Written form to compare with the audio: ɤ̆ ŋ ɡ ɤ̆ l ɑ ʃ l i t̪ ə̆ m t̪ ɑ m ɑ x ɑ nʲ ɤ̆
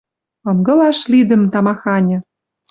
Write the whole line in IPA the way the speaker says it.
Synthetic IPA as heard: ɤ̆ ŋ ɡ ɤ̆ l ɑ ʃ l i d̪ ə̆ m t̪ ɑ m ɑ x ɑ nʲ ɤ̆